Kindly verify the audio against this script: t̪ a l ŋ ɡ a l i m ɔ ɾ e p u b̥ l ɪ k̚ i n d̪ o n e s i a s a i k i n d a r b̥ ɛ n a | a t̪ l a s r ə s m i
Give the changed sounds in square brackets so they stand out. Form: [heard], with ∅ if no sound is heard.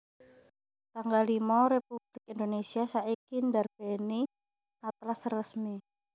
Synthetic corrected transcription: t̪ a [∅] ŋ ɡ a l i m ɔ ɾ e p u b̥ l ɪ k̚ i n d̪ o n e s i a s a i k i n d a r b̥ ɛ n [i] | a t̪ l a s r ə s m i